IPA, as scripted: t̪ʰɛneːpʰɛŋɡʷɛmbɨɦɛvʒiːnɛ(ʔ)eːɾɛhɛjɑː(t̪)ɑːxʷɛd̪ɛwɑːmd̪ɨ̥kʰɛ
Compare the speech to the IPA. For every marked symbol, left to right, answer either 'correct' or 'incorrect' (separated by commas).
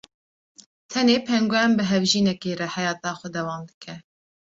incorrect, correct